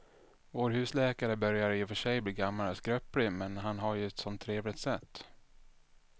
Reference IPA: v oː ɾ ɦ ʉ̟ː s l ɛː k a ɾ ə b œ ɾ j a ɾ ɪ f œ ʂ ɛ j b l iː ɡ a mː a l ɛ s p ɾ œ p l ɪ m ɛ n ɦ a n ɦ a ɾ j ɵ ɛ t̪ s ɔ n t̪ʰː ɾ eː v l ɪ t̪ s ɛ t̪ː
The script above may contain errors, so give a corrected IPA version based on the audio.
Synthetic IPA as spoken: v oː ɾ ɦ ʉ̟ː s l ɛː k a ɾ ə b œ ɾ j a ɾ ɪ f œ ʂ ɛ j b l iː ɡ a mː a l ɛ s k ɾ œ p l ɪ m ɛ n ɦ a n ɦ a ɾ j ɵ ɛ t̪ s ɔ n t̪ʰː ɾ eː v l ɪ t̪ s ɛ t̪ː